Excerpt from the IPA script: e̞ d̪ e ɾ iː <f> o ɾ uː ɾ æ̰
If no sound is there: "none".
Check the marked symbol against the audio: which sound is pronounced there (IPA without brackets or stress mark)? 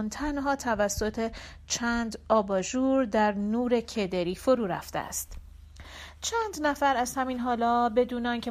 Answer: f